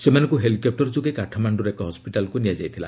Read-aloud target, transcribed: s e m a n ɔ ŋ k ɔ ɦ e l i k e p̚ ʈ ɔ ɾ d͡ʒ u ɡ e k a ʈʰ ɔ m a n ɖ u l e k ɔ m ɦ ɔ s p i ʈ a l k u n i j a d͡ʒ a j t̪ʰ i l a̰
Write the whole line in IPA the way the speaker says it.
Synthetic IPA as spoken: s e m a n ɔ ŋ k u ɦ e l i k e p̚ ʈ ɔ ɾ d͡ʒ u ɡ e k a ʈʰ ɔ m a ɳ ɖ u ɾ e k ɔ ɦ ɔ s p i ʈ a l k u n i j a d͡ʒ a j t̪ʰ i l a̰